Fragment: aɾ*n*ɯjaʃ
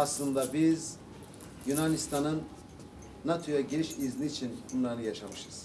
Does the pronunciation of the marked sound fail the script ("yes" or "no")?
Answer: no